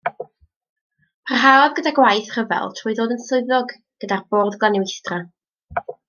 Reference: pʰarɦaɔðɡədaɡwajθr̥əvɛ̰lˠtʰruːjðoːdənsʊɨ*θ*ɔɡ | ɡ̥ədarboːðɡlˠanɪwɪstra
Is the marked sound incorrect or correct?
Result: incorrect